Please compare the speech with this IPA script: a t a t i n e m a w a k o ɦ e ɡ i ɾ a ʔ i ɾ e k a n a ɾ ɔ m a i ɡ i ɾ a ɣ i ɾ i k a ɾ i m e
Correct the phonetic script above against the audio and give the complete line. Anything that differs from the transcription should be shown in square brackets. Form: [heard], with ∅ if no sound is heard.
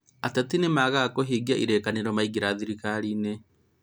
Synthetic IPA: a t a t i n e m a [ɣ] a k o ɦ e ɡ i [∅] a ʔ i ɾ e k a n [e] ɾ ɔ m a i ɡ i ɾ a [ð] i ɾ i k a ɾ i [n] e